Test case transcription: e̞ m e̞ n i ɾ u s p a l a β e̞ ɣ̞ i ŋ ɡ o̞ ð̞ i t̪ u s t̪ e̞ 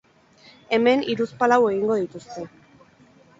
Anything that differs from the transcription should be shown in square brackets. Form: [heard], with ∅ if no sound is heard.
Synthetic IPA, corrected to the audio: e̞ m e̞ n i ɾ u s p a l a [w] e̞ ɣ̞ i ŋ ɡ o̞ ð̞ i t̪ u s t̪ e̞